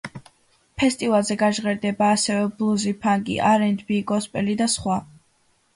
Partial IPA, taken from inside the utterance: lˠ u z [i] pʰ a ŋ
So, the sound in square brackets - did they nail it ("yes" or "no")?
yes